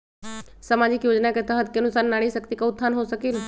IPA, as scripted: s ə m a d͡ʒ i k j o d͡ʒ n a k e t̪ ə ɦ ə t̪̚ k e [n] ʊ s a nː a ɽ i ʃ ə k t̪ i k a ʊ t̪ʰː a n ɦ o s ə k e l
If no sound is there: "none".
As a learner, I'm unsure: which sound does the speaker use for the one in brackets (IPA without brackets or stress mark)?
n